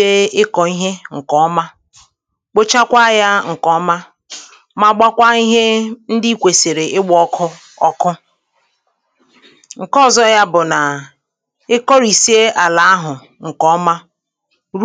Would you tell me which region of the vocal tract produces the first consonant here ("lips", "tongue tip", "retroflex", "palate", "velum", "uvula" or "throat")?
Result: velum